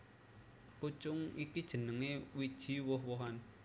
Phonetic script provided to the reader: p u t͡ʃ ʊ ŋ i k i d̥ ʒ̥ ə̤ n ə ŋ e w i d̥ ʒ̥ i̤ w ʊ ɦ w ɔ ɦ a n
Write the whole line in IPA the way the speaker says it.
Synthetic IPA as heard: p u t͡ʃ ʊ ŋ i k i d̥ ʒ̥ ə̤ n ə ŋ e w i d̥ ʒ̥ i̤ w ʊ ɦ w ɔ ɦ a n